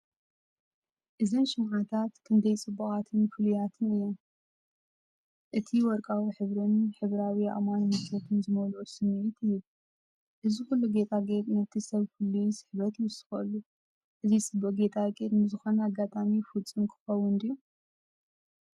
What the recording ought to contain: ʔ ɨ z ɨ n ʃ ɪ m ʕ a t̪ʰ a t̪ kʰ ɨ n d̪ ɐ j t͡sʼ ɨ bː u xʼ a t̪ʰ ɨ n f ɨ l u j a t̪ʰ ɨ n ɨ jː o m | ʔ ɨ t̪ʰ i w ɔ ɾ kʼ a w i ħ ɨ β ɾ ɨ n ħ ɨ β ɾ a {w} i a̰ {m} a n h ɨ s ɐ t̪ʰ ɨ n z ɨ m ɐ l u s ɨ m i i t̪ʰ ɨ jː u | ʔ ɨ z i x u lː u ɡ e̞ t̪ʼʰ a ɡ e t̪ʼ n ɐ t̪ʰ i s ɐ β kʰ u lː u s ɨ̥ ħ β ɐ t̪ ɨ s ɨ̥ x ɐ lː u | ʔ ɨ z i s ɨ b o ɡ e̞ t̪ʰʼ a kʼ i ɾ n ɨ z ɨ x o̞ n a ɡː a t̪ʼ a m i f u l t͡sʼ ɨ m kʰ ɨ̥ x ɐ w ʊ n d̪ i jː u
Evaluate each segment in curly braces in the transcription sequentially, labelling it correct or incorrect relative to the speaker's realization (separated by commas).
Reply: correct, correct